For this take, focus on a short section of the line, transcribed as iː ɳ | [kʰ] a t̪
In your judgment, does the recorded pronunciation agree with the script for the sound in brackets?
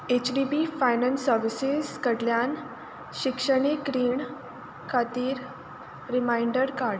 yes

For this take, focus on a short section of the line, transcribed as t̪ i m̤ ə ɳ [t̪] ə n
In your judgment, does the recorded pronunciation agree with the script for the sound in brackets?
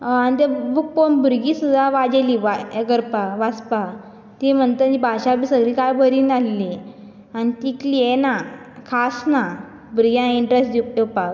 yes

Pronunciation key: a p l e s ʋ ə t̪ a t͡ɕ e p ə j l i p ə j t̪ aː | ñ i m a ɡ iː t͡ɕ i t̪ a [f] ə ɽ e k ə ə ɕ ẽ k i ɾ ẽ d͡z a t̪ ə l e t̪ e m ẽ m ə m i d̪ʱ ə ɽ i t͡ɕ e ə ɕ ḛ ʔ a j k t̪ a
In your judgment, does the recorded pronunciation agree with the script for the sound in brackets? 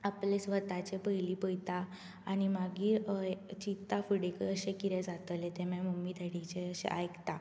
yes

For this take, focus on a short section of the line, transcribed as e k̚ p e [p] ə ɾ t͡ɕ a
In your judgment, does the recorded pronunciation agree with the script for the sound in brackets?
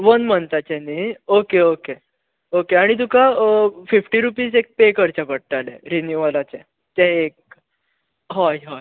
no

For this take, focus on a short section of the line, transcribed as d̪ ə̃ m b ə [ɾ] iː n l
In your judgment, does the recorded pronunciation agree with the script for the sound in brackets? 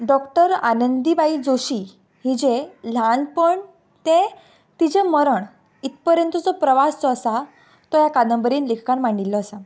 yes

